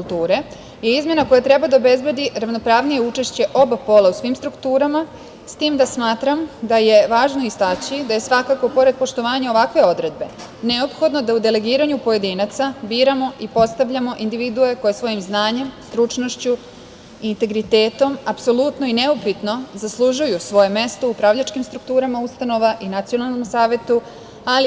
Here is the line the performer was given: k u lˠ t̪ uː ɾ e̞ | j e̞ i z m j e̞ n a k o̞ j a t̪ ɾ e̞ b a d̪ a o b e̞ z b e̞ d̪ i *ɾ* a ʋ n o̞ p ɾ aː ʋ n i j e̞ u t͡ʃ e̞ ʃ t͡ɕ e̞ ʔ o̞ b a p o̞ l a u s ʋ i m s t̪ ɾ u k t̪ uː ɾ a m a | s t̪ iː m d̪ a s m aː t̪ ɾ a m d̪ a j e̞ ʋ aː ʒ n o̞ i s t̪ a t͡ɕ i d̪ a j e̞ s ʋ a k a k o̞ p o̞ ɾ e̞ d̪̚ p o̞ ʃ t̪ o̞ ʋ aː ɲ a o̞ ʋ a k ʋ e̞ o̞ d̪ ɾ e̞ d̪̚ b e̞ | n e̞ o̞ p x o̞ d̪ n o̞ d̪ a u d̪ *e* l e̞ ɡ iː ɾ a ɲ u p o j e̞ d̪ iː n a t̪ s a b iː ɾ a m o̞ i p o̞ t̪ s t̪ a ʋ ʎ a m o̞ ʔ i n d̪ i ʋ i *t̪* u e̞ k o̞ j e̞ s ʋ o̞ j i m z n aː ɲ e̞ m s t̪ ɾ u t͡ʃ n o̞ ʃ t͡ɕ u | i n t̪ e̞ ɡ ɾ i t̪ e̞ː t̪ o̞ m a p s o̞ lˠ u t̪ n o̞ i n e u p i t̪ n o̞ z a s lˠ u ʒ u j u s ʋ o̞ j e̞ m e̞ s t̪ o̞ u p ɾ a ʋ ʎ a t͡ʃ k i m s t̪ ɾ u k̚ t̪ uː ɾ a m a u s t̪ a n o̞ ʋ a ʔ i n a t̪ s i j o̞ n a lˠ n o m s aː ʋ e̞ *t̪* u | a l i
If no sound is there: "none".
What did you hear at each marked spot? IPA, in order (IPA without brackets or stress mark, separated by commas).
ɾ, e, d̪, t̪